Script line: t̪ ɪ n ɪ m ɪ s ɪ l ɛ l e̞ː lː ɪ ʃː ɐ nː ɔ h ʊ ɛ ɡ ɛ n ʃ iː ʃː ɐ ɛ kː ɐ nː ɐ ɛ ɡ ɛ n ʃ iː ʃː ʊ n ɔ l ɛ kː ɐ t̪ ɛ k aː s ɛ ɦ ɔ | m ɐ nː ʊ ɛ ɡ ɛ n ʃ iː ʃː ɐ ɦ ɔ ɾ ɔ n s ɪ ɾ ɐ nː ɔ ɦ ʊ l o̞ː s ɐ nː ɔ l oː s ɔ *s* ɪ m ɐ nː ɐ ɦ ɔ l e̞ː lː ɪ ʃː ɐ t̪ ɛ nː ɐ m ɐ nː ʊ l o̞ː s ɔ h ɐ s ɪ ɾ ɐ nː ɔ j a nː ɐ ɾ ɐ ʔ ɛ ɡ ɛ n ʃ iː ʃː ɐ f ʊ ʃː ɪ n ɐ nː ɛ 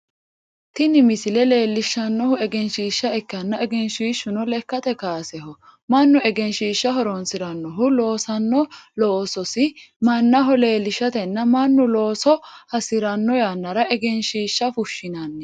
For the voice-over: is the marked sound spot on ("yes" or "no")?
yes